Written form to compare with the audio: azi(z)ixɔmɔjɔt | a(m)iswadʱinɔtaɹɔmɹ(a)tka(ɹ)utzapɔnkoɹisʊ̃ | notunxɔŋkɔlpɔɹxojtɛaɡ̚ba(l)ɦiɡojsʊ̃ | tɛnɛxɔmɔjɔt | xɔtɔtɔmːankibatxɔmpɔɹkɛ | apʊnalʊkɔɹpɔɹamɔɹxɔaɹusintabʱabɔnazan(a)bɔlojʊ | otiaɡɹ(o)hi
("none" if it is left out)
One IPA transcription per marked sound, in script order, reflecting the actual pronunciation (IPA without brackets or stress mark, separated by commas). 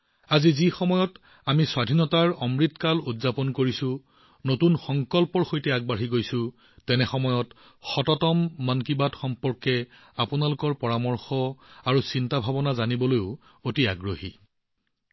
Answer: z, m, i, l, ɹ, i, o